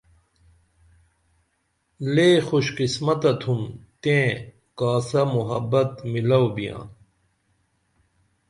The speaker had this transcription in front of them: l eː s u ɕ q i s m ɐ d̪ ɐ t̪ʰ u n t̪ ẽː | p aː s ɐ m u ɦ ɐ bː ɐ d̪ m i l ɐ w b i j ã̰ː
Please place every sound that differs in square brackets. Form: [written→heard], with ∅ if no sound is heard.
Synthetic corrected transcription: l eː [s→x] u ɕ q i s m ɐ [d̪→t̪] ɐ t̪ʰ u [n→m] t̪ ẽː | [p→k] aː s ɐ m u ɦ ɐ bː ɐ [d̪→t̪] m i l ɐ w b i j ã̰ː